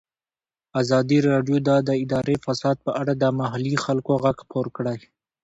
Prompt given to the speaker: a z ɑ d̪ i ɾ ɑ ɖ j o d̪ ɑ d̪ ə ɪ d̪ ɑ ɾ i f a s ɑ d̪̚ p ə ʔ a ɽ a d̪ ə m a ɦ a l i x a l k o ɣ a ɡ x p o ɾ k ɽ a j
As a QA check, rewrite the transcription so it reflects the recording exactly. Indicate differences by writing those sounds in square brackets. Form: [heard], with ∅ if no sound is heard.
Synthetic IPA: a z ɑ d̪ i ɾ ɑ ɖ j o d̪ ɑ d̪ ə ɪ d̪ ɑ ɾ [e] f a s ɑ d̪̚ p ə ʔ a ɽ a d̪ ə m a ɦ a l i x a l k o ɣ a ɡ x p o ɾ k ɽ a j